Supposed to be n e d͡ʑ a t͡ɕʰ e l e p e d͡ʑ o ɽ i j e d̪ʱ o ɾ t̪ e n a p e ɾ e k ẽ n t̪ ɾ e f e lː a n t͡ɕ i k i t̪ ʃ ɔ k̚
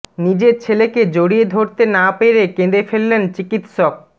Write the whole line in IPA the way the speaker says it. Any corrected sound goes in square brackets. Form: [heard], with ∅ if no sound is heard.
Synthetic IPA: n [i] d͡ʑ [e] t͡ɕʰ e l e [k] e d͡ʑ o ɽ i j e d̪ʱ o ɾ t̪ e n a p e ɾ e k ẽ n [d̪] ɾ e f e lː [e] n t͡ɕ i k i t̪ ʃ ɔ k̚